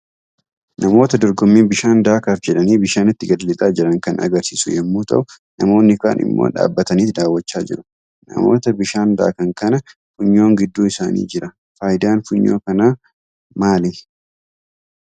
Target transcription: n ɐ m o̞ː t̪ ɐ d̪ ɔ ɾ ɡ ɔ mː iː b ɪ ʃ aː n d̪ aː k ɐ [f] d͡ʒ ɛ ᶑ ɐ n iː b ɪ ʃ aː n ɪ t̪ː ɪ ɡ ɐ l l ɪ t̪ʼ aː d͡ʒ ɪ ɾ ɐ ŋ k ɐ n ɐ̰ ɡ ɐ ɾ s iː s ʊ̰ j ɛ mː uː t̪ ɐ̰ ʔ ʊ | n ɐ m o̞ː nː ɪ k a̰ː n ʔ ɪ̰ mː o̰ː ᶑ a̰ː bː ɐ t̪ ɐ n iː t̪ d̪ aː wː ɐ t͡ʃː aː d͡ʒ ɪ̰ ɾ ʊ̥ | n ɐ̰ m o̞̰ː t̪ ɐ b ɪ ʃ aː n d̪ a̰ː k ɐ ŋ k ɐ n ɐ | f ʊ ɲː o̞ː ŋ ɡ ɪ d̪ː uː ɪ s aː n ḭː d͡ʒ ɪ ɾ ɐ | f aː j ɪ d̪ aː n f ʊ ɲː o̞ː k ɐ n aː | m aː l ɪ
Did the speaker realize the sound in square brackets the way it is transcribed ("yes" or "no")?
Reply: yes